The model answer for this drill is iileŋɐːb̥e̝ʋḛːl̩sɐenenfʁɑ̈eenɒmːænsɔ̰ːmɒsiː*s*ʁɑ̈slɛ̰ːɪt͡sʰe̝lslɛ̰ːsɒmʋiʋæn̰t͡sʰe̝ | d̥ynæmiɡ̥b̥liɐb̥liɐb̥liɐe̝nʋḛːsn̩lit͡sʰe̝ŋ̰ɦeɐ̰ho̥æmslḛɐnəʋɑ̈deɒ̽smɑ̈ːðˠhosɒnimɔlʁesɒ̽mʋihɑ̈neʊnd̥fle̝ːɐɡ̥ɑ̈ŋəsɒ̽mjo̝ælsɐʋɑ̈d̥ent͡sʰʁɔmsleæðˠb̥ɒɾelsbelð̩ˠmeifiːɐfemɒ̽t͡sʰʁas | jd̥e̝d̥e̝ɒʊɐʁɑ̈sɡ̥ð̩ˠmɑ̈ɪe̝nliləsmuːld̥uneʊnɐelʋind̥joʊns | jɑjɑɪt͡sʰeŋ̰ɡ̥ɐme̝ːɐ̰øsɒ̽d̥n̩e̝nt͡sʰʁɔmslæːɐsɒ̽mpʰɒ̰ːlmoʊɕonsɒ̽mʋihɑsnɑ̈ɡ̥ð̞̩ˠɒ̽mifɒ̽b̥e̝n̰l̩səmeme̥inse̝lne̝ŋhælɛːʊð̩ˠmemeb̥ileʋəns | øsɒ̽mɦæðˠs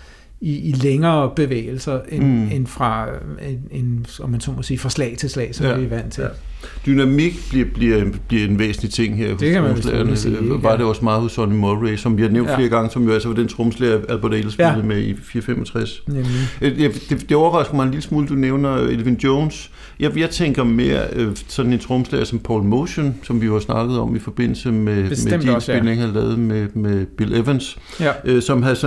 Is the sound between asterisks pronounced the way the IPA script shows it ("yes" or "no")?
no